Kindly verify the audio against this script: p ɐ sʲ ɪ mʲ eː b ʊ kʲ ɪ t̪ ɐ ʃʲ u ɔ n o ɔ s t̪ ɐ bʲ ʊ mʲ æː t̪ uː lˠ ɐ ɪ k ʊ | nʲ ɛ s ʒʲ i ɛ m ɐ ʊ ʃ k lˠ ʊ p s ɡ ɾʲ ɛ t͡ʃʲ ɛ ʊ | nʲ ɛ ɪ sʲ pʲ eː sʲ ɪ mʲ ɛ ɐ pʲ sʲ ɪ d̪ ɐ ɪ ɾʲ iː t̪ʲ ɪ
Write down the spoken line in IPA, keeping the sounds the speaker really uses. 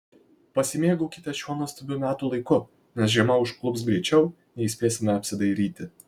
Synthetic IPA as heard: p ɐ sʲ ɪ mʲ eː ɡ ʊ kʲ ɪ t̪ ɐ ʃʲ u ɔ n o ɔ s t̪ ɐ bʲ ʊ mʲ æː t̪ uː lˠ ɐ ɪ k ʊ | nʲ ɛ s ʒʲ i ɛ m ɐ ʊ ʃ k lˠ ʊ p s ɡ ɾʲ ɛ t͡ʃʲ ɛ ʊ | nʲ ɛ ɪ sʲ pʲ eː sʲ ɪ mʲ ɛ ɐ pʲ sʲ ɪ d̪ ɐ ɪ ɾʲ iː t̪ʲ ɪ